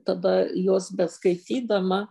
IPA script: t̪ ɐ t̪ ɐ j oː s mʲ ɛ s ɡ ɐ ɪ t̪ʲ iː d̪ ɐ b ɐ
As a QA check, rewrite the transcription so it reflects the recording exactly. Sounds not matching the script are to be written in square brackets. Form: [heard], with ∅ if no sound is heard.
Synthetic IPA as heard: t̪ ɐ [d̪] ɐ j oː s [bʲ] ɛ s [k] ɐ ɪ t̪ʲ iː d̪ ɐ [m] ɐ